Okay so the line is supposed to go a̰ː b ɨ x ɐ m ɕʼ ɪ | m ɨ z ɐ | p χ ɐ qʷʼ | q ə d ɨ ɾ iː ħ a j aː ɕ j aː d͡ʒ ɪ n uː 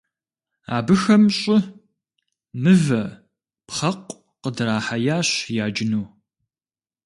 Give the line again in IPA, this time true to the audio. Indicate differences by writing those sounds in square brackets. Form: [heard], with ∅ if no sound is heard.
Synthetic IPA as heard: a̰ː b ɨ x ɐ m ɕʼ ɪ | m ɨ [v] ɐ | p χ ɐ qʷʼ | q ə d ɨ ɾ [aː] ħ a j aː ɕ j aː d͡ʒ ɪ n uː